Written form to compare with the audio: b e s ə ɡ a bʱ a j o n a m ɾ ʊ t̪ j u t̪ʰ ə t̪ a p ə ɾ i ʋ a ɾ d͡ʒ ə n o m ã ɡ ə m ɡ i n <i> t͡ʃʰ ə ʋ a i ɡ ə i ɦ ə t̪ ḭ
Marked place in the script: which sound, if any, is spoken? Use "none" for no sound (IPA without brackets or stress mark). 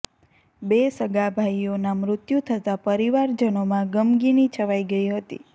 i